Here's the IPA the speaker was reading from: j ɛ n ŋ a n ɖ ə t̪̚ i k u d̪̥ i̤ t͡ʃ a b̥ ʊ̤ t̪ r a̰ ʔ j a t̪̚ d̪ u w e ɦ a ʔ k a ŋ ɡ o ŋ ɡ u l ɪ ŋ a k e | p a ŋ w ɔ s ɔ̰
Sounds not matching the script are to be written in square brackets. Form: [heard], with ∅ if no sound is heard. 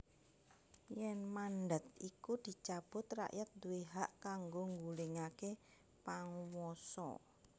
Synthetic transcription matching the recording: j ɛ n [m] a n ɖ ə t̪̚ i k u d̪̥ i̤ t͡ʃ a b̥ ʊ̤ t̪ r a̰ ʔ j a t̪̚ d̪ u w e ɦ a ʔ k a ŋ ɡ o ŋ ɡ u l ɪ ŋ a k e | p a ŋ w ɔ s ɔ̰